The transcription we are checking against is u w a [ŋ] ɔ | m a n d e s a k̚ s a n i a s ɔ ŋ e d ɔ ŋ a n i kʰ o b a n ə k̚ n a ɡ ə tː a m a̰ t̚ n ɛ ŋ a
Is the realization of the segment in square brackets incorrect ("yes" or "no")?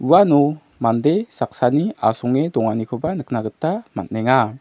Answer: yes